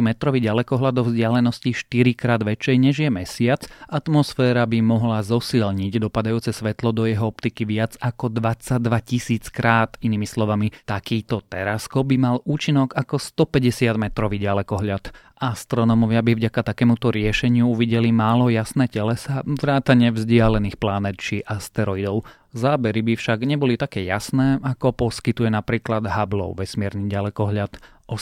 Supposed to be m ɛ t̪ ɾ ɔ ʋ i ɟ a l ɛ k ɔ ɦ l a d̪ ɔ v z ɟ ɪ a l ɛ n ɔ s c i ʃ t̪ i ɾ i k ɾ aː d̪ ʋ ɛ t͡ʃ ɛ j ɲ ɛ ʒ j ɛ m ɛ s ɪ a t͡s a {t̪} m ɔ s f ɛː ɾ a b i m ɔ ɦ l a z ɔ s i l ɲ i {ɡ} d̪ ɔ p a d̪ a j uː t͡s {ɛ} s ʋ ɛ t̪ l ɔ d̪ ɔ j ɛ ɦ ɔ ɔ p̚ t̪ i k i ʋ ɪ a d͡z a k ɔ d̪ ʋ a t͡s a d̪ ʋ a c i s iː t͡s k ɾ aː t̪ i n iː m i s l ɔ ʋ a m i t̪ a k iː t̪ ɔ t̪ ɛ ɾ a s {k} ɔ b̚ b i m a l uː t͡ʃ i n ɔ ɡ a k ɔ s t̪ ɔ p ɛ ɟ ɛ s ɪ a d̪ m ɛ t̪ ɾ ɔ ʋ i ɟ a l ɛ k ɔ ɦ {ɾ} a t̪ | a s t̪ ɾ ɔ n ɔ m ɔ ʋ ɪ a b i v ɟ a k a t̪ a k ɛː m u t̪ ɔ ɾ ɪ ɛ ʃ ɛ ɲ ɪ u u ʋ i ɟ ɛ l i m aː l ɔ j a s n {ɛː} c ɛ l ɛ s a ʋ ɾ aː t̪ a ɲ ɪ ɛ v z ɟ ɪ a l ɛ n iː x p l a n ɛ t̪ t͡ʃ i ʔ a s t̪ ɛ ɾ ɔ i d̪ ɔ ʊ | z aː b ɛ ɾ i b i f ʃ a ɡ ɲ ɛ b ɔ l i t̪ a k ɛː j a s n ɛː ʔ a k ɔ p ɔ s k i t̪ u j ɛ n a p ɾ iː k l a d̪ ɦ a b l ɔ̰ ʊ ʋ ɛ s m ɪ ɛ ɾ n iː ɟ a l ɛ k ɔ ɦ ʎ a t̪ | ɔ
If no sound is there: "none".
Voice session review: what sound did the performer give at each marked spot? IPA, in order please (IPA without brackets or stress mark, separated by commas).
t̪, ɟ, ɛ, k, ʎ, ɛː